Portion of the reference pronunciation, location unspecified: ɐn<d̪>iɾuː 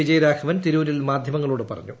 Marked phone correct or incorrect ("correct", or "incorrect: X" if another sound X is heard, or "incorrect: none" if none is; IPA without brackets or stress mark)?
incorrect: t̪